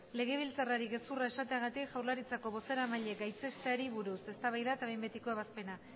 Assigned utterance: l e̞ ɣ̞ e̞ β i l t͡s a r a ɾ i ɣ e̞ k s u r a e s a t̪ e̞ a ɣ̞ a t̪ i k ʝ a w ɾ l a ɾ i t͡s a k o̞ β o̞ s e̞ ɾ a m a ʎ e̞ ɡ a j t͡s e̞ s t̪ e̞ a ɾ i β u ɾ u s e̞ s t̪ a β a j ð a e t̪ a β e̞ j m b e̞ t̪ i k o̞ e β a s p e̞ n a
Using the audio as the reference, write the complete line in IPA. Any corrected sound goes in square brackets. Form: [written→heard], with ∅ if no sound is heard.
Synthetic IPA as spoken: l e̞ ɣ̞ e̞ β i l t͡s a r a ɾ i ɣ e̞ [k→∅] s u r a e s a t̪ e̞ a ɣ̞ a t̪ i k ʝ a w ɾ l a ɾ i t͡s a k o̞ β o̞ s e̞ ɾ a m a ʎ e̞ ɡ a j t͡s e̞ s t̪ e̞ a ɾ i β u ɾ u s e̞ s t̪ a β a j ð a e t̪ a β e̞ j m b e̞ t̪ i k o̞ e β a s p e̞ n a